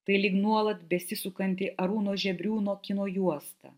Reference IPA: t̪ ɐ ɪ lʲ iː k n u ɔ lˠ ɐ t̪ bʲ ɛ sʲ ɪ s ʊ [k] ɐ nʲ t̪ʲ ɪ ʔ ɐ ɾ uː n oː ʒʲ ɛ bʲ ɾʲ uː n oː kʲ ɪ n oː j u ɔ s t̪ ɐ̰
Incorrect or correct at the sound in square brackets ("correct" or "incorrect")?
correct